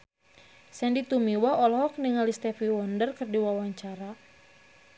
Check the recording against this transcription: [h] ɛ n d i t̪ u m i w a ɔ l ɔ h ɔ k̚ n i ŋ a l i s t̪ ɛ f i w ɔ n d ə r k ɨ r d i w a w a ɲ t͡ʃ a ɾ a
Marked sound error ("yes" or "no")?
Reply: yes